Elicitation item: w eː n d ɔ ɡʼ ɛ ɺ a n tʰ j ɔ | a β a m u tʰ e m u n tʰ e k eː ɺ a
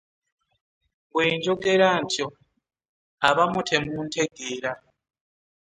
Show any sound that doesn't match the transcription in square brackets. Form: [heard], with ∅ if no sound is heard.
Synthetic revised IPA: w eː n [d͡ʒ] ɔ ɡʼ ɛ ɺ a n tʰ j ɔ | a β a m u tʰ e m u n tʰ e [ɡ] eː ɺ a